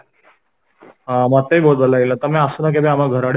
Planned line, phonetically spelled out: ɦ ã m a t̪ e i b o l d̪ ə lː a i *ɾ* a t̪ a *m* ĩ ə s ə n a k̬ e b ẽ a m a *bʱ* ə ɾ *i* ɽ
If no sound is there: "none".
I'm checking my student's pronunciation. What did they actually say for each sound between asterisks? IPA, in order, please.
l, m, ɡʱ, a

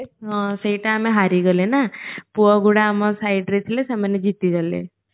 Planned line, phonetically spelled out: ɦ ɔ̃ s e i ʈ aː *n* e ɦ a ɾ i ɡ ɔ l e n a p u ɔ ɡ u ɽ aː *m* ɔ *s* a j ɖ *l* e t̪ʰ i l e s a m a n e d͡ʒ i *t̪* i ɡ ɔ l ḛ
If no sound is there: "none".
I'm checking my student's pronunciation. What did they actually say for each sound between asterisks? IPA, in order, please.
m, m, s, ɾ, t̪

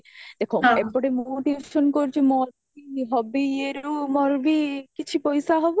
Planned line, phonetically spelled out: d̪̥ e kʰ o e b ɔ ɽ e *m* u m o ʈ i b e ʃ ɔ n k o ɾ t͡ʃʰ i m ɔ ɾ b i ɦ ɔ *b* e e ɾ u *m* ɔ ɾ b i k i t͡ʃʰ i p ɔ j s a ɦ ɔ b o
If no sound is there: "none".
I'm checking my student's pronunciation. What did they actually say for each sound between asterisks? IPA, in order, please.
m, b, m

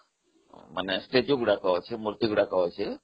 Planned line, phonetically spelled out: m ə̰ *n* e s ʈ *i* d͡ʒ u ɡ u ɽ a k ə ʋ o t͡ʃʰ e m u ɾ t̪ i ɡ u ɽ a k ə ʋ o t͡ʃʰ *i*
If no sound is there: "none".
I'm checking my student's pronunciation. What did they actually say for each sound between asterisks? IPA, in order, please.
n, e, e

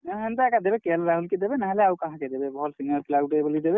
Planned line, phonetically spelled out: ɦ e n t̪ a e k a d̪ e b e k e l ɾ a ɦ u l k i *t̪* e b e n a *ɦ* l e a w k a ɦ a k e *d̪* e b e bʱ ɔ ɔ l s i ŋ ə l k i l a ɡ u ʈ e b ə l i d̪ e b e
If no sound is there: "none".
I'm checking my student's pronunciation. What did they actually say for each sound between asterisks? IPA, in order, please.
d̪, ɦ, d̪

